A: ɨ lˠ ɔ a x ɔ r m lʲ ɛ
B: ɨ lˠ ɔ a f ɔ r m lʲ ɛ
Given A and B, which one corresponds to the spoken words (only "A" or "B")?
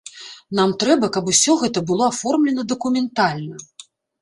B